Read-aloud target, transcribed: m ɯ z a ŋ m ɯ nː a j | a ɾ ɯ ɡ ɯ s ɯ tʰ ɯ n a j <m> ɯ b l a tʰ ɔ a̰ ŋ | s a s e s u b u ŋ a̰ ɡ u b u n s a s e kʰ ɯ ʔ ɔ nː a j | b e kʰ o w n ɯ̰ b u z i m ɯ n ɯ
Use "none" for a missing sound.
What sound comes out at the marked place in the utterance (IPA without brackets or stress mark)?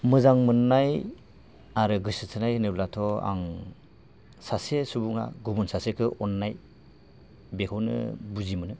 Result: n